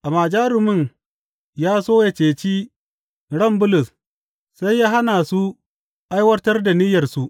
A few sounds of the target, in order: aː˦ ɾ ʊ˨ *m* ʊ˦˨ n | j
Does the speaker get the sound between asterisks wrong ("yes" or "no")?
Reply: no